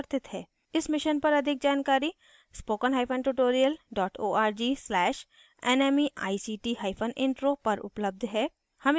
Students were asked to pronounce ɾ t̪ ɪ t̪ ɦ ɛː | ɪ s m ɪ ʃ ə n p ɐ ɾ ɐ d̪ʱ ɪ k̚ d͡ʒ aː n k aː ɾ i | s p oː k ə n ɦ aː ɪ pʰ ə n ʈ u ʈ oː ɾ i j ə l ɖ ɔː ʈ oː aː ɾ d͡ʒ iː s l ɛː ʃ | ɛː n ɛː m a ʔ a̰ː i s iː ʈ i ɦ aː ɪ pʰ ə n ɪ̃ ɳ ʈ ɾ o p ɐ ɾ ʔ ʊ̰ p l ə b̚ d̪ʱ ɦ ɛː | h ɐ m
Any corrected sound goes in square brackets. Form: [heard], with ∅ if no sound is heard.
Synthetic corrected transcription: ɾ t̪ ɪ t̪ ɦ ɛː | ɪ s m ɪ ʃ ə n p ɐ ɾ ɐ d̪ʱ ɪ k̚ d͡ʒ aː n k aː ɾ i | s p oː k ə n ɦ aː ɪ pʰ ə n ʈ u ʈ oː ɾ i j ə l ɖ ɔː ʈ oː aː ɾ d͡ʒ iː s l ɛː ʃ | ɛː n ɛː m [i] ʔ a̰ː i s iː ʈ i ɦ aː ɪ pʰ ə n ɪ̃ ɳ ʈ ɾ o p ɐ ɾ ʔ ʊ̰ p l ə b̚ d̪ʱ ɦ ɛː | h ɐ m